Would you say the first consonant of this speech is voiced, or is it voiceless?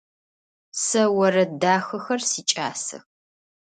voiceless